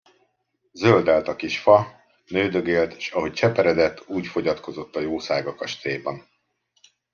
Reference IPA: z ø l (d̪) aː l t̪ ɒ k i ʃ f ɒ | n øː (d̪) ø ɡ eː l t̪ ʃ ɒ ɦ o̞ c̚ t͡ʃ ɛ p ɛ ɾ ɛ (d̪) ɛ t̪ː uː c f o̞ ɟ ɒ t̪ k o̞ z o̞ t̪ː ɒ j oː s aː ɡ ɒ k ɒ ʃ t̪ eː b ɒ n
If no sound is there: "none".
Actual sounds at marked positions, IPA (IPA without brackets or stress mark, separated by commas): d̪, d̪, d̪